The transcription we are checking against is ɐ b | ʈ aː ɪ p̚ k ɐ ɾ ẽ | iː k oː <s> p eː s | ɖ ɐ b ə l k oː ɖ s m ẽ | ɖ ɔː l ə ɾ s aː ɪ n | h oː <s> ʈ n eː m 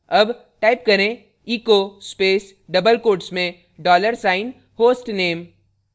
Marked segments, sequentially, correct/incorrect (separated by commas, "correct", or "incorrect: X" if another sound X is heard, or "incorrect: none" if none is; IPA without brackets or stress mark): correct, correct